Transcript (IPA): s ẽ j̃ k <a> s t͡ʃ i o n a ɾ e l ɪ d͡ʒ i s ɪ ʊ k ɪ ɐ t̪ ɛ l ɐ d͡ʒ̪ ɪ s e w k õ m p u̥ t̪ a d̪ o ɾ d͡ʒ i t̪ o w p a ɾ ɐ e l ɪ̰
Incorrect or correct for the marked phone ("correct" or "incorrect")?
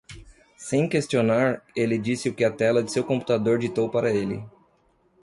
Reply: incorrect